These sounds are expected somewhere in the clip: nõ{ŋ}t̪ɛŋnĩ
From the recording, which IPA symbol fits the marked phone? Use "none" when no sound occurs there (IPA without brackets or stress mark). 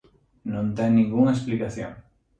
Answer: n